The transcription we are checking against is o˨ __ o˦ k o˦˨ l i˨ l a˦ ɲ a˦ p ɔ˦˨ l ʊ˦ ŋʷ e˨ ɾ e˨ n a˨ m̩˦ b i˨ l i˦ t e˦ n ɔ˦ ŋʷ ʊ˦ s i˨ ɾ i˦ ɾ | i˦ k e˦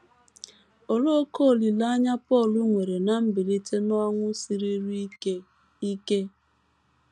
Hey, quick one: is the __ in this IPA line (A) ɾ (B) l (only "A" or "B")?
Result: B